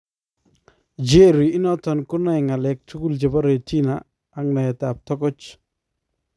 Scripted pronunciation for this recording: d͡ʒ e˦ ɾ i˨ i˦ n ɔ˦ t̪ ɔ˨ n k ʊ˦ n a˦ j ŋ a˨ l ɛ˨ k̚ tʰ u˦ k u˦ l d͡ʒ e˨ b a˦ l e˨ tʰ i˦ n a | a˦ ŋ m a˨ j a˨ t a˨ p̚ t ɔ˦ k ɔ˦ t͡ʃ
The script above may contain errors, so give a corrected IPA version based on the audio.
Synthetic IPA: d͡ʒ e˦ ɾ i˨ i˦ n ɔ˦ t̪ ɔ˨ n k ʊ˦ n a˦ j ŋ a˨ l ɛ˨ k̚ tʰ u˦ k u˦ l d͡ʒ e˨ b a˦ ɾ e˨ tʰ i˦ n a | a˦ ŋ n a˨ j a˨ t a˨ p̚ t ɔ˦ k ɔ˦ t͡ʃ